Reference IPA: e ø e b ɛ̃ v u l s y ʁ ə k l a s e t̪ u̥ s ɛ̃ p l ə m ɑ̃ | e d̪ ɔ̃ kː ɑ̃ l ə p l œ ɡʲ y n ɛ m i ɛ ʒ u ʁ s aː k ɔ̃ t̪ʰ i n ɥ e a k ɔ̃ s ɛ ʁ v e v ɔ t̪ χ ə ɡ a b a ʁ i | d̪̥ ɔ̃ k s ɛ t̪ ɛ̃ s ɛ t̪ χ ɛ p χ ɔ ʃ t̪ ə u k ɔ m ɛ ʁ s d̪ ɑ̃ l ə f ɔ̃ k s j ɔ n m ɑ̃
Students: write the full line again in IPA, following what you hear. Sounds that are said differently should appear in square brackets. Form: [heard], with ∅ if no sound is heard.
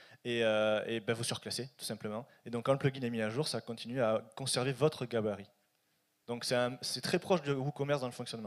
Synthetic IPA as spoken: e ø e b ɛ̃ v u [∅] s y ʁ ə k l a s e t̪ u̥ s ɛ̃ p l ə m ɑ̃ | e d̪ ɔ̃ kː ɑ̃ l ə p l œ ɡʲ [i] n ɛ m i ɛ ʒ u ʁ s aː k ɔ̃ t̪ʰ i n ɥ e a k ɔ̃ s ɛ ʁ v e v ɔ t̪ χ ə ɡ a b a ʁ i | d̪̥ ɔ̃ k s ɛ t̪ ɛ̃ s ɛ t̪ χ ɛ p χ ɔ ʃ [d̪] ə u k ɔ m ɛ ʁ s d̪ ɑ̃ l ə f ɔ̃ k s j ɔ n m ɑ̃